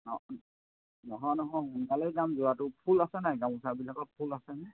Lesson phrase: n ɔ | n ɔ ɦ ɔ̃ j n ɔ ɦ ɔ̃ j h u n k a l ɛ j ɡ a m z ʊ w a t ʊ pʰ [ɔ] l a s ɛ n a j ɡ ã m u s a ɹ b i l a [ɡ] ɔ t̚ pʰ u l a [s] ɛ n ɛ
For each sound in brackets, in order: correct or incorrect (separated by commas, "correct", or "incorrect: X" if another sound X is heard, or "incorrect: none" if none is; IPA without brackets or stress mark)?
incorrect: u, incorrect: k, correct